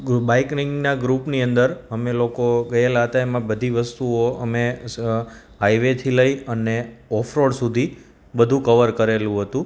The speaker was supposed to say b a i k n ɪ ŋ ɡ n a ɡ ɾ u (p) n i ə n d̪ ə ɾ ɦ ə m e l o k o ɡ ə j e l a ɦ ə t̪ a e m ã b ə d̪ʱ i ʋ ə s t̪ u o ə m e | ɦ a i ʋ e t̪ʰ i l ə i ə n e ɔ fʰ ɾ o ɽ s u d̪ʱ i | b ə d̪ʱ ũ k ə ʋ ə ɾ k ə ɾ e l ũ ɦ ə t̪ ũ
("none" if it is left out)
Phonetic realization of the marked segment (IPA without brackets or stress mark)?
p